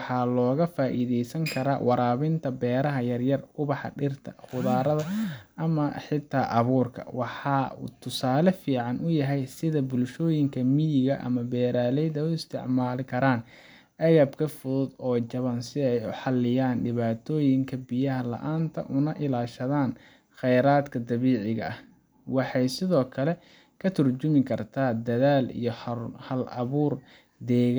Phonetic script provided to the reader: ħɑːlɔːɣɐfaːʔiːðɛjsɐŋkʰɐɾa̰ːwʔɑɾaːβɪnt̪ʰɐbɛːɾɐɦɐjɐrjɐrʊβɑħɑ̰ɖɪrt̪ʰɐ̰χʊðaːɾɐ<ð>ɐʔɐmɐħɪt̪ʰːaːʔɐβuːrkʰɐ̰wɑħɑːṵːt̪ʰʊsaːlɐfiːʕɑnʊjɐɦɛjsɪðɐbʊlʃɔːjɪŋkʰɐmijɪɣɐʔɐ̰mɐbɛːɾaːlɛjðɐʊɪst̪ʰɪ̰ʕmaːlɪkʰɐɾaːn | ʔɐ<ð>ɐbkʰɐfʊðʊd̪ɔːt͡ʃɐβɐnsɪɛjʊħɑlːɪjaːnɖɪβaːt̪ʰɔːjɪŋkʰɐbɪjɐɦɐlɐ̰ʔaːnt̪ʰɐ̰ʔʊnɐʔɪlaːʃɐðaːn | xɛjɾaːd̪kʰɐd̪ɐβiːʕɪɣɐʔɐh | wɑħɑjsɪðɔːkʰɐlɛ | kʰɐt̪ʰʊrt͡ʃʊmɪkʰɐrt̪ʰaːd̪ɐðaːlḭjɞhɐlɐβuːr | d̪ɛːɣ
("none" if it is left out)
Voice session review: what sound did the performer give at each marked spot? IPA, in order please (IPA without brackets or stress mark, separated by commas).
ð, ɣ